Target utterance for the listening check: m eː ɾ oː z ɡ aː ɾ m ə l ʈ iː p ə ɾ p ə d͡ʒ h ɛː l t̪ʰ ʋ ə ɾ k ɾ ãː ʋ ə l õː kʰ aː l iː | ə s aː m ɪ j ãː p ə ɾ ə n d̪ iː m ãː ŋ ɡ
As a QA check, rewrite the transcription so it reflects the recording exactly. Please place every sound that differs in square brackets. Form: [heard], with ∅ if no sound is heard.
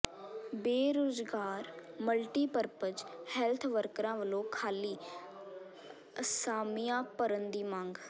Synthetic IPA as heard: [b] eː ɾ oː z ɡ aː ɾ m ə l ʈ iː p ə ɾ p ə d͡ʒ h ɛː l t̪ʰ ʋ ə ɾ k ɾ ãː ʋ ə l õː kʰ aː l iː | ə s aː m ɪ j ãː p ə ɾ ə n d̪ iː m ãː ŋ ɡ